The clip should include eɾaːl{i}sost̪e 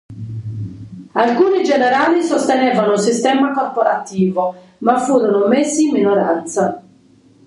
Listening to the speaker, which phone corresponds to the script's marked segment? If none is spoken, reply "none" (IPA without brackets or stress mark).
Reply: i